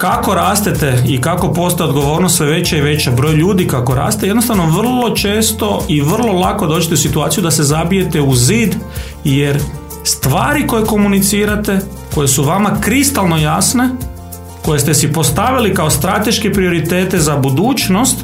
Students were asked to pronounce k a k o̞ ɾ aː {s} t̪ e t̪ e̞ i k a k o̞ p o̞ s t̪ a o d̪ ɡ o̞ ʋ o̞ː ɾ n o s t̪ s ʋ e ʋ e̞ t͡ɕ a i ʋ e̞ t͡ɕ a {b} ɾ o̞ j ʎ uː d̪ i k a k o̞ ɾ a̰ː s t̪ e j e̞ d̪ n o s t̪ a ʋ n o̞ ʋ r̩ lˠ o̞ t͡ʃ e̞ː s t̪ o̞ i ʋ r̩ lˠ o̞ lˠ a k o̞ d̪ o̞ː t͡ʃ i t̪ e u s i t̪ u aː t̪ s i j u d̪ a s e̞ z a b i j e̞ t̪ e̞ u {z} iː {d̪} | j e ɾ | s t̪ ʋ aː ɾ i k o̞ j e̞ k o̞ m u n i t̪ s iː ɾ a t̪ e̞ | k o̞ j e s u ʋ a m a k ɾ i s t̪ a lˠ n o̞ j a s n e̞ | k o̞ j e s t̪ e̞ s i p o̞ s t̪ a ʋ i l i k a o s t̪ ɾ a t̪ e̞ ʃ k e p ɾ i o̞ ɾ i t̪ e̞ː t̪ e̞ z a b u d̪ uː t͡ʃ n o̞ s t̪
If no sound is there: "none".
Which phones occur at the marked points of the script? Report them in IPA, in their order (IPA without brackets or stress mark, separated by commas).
s, b, z, d̪